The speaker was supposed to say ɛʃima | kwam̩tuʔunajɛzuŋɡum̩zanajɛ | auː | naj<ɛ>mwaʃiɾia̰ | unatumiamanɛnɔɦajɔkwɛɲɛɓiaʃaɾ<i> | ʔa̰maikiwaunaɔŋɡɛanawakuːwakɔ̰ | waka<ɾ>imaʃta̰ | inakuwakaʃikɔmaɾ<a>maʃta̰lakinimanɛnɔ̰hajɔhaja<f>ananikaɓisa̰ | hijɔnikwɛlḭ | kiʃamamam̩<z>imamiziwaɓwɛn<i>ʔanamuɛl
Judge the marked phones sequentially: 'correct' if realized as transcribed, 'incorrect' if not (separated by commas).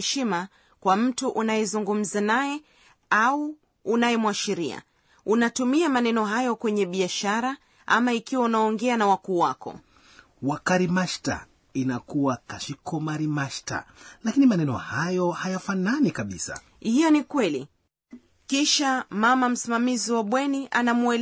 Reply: correct, incorrect, correct, incorrect, correct, incorrect, correct